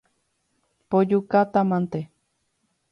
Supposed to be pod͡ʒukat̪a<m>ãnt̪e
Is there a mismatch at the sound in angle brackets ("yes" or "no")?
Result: no